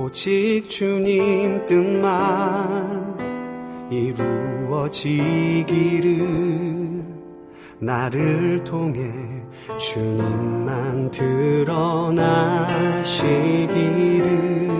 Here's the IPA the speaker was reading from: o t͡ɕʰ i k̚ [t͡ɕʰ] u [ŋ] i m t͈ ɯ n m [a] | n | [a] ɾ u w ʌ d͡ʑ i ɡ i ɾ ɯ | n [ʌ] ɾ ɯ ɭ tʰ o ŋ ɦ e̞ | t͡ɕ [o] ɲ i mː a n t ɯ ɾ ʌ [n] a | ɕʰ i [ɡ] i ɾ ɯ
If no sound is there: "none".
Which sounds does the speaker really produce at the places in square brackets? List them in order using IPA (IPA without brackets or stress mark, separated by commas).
t͡ɕ, ɲ, a, i, a, u, n, ɡ